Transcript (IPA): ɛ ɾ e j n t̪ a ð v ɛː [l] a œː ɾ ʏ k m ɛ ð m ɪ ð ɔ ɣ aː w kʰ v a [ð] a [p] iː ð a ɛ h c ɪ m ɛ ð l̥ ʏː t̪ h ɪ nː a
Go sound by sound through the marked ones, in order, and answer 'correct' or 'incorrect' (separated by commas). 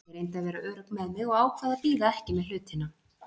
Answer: incorrect, correct, correct